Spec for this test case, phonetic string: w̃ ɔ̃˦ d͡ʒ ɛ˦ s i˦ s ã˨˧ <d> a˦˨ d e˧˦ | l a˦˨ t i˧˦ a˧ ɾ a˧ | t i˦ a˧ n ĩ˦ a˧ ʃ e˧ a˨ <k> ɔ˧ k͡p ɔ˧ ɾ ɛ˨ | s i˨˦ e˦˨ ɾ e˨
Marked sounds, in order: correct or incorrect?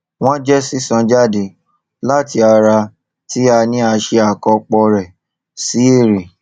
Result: incorrect: d͡ʒ, correct

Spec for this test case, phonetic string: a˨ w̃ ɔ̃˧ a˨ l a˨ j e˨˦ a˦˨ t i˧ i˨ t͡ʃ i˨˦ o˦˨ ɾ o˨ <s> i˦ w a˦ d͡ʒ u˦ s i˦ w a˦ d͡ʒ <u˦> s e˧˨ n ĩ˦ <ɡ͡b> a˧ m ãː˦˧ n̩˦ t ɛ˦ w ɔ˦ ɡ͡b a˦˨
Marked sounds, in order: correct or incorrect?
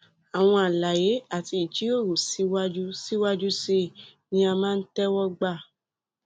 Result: correct, correct, incorrect: none

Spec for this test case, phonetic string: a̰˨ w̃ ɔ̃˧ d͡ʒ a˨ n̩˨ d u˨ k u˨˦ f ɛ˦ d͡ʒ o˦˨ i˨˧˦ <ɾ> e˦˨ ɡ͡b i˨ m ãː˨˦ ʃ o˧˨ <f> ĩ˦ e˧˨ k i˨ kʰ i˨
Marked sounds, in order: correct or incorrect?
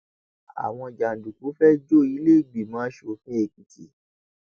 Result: incorrect: l, correct

